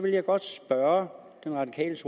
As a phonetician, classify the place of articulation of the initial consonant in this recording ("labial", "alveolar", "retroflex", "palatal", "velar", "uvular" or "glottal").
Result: labial